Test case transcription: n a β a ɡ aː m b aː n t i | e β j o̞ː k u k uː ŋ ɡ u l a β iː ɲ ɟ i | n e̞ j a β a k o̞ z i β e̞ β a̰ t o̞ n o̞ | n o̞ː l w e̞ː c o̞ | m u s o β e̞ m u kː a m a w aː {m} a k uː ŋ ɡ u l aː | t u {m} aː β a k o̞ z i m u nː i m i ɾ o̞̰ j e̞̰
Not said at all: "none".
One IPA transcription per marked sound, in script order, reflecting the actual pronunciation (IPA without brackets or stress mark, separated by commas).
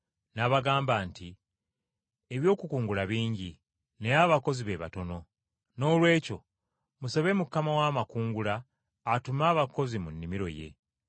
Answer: m, m